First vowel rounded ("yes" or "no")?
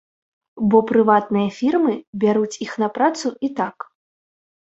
yes